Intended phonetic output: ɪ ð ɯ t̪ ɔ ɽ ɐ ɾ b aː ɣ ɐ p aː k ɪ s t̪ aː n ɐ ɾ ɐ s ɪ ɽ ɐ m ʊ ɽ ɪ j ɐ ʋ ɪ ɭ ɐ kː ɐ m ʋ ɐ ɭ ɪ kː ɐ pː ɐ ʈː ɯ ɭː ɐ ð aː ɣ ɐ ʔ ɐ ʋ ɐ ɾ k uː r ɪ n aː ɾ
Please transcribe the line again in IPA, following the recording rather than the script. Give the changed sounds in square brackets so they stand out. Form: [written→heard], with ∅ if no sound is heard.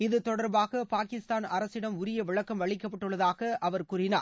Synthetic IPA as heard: ɪ ð ɯ t̪ ɔ ɽ ɐ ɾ b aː ɣ ɐ p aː k ɪ s t̪ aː n ɐ ɾ ɐ s ɪ ɽ ɐ m ʊ [ɽ→ɾ] ɪ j ɐ ʋ ɪ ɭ ɐ kː ɐ m ʋ ɐ ɭ ɪ kː ɐ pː ɐ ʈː ɯ ɭː ɐ ð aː ɣ ɐ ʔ ɐ ʋ ɐ ɾ k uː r ɪ n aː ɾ